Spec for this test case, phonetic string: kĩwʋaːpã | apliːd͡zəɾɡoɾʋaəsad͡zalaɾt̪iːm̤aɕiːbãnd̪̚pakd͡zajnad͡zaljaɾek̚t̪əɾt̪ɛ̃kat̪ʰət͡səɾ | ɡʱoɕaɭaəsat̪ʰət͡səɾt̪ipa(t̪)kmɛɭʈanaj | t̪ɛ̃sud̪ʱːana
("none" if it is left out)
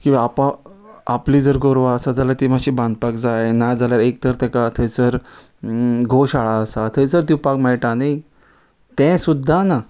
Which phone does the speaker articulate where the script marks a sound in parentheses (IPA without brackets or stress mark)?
none